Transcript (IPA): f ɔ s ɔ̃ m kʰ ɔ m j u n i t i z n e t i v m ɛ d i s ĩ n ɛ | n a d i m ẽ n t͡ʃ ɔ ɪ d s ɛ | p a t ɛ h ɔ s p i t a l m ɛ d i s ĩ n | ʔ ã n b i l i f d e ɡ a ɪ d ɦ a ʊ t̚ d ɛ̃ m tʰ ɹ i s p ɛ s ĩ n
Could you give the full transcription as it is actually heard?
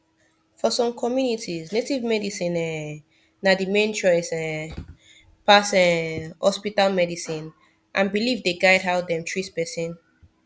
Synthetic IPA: f ɔ s ɔ̃ m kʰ ɔ m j u n i t i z n e t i v m ɛ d i s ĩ n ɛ | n a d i m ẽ n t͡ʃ ɔ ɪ s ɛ | p a s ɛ h ɔ s p i t a l m ɛ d i s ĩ n | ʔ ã n b i l i v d e ɡ a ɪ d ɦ a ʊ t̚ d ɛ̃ m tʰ ɹ i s p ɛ s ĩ n